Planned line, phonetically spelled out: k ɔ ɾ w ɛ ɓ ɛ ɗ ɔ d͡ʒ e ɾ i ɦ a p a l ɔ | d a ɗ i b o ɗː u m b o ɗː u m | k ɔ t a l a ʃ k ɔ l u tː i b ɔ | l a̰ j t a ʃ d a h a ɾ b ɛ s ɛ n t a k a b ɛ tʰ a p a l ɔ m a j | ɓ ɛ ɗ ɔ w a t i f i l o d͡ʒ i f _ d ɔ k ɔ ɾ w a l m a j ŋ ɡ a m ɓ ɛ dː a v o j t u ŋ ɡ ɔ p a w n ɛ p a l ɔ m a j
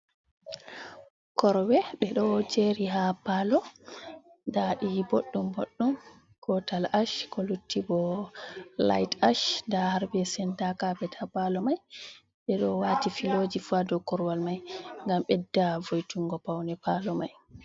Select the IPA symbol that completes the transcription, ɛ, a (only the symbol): a